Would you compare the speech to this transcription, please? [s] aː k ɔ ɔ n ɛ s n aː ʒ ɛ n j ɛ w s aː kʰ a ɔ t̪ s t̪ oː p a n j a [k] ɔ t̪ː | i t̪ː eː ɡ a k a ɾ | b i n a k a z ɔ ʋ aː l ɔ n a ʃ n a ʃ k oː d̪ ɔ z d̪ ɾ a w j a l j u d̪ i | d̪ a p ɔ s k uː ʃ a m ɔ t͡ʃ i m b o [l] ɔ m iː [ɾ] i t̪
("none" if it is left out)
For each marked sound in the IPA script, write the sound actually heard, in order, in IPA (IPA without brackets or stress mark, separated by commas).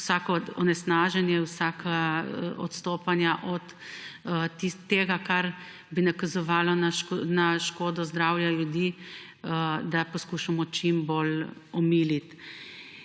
s, ʔ, l, l